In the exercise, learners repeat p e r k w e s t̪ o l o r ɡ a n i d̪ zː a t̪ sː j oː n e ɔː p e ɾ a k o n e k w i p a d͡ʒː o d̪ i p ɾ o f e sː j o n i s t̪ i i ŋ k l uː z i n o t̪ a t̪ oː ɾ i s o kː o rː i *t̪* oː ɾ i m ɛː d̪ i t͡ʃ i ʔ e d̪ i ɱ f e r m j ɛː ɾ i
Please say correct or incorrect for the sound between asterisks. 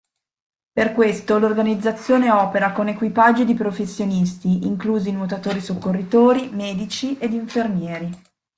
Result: correct